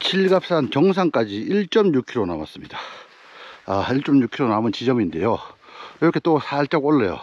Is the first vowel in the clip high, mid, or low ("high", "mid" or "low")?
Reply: high